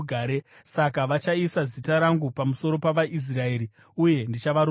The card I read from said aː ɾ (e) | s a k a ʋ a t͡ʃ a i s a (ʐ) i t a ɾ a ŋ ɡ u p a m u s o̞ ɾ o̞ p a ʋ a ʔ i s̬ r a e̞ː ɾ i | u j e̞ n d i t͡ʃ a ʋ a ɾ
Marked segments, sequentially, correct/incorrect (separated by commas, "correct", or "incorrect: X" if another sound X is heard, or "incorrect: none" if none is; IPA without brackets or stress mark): correct, incorrect: z